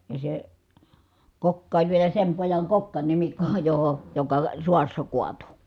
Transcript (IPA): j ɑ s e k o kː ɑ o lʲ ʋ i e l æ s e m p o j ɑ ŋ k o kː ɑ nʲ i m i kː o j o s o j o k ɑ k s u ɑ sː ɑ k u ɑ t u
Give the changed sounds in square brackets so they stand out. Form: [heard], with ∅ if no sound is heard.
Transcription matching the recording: j ɑ s e k o kː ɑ o lʲ ʋ i e l æ s e m p o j ɑ ŋ k o kː ɑ nʲ i m i kː o j o [h] o j o k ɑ [∅] s u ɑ sː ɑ k u ɑ t u

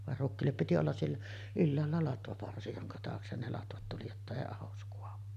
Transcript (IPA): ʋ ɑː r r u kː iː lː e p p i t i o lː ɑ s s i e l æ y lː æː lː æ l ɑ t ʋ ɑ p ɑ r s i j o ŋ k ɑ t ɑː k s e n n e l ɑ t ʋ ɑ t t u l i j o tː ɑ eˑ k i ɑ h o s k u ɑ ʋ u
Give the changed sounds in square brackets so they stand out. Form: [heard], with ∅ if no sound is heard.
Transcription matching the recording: ʋ [ɑ] r r u kː iː lː e p p i t i o lː ɑ s s i e [lː] æ y lː æː lː æ l ɑ t ʋ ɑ p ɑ r s i j o ŋ k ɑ t ɑː k s e n n e l ɑ t ʋ ɑ t t u l i j o tː ɑ eˑ [∅] i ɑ h o s k u ɑ ʋ u

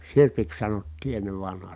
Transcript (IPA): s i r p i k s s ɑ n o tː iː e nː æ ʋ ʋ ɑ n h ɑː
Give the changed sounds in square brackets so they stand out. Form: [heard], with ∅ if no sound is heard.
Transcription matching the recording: s i r p i k s s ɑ n o tː iː e nː [e] ʋ ʋ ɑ n h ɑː

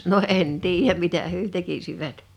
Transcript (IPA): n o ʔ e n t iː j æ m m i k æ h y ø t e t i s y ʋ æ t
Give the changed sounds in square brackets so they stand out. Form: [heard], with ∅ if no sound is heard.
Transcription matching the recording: n o ʔ e n t iː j æ m m i [t] æ h y ø t e [k] i s [i] ʋ æ t

